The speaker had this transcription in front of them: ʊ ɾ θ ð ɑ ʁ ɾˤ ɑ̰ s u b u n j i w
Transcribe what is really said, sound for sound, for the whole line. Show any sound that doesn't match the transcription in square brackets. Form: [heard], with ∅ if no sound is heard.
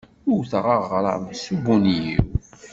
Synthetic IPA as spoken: ʊ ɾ θ [ʁ] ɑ ʁ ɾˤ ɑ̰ s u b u n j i w